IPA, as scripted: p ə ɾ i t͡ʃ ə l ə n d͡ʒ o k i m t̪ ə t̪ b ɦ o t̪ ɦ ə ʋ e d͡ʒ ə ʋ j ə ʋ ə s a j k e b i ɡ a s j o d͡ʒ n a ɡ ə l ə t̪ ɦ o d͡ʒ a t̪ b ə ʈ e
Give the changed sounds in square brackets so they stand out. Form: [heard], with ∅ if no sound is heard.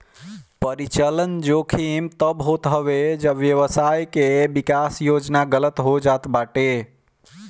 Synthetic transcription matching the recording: p ə ɾ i t͡ʃ ə l ə n d͡ʒ o [kʰ] i m t̪ ə [∅] b ɦ o t̪ ɦ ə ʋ e d͡ʒ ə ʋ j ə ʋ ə s a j k e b i [k] a s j o d͡ʒ n a ɡ ə l ə t̪ ɦ o d͡ʒ a t̪ b [a] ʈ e